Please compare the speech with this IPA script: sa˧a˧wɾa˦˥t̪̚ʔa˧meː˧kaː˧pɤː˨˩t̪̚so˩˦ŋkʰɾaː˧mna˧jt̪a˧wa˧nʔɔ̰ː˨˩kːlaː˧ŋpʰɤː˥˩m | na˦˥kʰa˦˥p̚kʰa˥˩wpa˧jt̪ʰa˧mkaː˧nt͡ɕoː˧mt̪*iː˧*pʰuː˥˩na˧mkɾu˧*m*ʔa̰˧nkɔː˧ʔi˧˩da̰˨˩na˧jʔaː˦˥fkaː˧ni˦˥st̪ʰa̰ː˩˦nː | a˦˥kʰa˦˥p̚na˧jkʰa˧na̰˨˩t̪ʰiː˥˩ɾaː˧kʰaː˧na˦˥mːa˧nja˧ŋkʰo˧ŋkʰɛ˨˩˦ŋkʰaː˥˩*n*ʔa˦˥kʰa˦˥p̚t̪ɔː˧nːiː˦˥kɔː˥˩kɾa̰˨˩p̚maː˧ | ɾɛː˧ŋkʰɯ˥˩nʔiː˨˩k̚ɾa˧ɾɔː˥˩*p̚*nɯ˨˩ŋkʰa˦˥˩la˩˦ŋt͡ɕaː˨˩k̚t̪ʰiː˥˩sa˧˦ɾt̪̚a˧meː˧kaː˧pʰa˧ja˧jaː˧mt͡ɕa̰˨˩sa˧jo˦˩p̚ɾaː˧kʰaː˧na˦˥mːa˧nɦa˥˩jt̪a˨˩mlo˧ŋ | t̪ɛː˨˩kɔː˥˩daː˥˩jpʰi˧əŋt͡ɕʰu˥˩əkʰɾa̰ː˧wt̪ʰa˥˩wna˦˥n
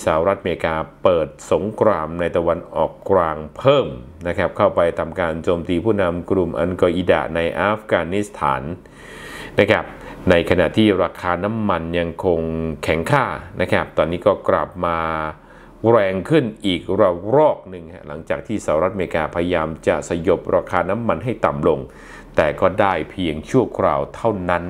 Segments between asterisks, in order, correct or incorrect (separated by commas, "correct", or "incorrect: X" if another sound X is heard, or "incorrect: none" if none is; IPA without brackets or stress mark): correct, correct, correct, incorrect: k̚